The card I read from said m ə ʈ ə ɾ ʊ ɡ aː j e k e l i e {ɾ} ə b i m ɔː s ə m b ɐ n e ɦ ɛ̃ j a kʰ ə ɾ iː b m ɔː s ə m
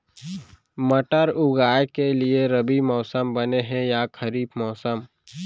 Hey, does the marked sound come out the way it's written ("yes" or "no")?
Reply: yes